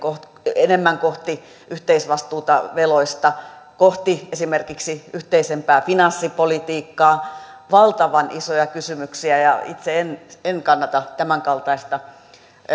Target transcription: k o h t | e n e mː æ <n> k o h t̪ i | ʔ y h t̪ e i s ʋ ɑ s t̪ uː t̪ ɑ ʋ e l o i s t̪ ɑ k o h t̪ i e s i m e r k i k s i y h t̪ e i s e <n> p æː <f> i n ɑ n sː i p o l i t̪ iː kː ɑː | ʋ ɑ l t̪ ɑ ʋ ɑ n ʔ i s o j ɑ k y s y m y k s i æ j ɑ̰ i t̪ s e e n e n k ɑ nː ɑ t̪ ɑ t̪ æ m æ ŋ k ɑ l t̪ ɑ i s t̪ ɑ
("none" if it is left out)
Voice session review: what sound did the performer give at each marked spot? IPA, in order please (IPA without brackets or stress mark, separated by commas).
ŋ, m, f